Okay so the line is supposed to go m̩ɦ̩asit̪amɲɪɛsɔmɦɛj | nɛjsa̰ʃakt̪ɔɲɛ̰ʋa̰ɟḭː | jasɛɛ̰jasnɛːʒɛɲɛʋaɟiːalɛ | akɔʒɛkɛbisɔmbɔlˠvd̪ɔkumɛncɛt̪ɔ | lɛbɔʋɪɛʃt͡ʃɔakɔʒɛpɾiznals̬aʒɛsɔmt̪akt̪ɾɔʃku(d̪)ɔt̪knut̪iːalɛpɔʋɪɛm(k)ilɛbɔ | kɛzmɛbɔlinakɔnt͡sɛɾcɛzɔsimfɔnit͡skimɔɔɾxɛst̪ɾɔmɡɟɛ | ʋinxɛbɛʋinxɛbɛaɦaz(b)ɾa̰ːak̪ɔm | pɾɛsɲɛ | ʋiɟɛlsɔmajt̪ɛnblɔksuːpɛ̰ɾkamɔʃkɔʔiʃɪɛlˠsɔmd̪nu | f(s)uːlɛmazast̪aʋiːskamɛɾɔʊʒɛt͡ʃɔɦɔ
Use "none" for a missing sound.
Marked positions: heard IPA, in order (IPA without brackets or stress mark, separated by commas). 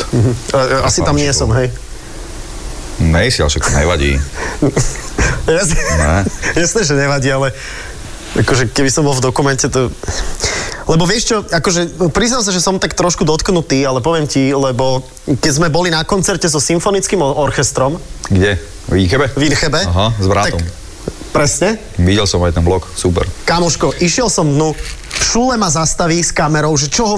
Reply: d̪, c, b, ʃ